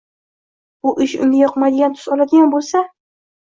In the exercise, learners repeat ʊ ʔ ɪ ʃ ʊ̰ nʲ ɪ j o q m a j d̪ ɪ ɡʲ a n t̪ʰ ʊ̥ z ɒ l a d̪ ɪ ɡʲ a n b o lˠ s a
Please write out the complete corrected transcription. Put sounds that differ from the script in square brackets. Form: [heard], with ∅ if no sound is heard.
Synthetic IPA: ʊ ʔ ɪ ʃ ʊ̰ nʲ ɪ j [ɒ] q m a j d̪ ɪ ɡʲ a n t̪ʰ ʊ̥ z ɒ l a d̪ ɪ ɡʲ a n b o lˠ s a